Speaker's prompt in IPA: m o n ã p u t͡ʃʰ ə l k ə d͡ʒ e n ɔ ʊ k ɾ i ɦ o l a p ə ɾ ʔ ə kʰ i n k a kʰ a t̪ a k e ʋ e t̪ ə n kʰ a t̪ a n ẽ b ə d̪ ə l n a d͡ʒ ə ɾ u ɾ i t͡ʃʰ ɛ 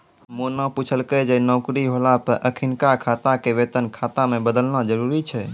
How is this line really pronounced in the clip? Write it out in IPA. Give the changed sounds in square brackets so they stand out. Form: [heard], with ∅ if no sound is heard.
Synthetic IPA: m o n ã p u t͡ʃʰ ə l k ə d͡ʒ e n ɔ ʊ k ɾ i ɦ o l a p ə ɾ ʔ ə kʰ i n k a kʰ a t̪ a k e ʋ e t̪ ə n kʰ a t̪ a [m] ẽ b ə d̪ ə l n a d͡ʒ ə ɾ u ɾ i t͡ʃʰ ɛ

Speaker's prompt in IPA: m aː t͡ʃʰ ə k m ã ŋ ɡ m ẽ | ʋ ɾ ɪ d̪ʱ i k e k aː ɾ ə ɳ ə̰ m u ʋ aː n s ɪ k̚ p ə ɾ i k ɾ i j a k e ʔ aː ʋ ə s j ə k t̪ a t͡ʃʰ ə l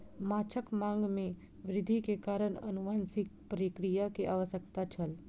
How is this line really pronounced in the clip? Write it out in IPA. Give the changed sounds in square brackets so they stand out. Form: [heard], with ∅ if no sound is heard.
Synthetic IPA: m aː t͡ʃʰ ə k m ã ŋ ɡ m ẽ | ʋ ɾ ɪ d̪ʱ i k e k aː ɾ ə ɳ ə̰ [n] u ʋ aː n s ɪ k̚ p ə ɾ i k ɾ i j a k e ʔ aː ʋ ə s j ə k t̪ a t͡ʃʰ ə l

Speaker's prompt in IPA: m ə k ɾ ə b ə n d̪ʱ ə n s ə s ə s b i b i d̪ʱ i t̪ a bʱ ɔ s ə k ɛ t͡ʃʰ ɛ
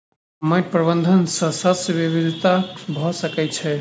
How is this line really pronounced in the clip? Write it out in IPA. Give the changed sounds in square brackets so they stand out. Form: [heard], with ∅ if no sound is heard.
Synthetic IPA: m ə [p] ɾ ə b ə n d̪ʱ ə n s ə s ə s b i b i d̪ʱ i t̪ a bʱ ɔ s ə k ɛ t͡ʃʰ ɛ

